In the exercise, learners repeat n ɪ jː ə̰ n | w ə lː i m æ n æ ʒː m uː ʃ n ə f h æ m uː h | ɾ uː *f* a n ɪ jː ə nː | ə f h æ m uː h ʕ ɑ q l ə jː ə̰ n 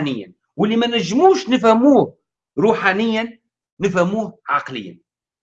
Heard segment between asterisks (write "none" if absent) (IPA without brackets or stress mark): ħ